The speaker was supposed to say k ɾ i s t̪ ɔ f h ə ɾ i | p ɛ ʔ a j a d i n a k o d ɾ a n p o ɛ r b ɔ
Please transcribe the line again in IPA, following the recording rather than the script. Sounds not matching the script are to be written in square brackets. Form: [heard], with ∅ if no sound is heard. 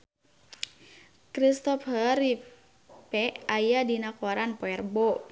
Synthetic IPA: k ɾ i s t̪ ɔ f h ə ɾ i | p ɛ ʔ a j a d i n a k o [∅] ɾ a n p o ɛ r b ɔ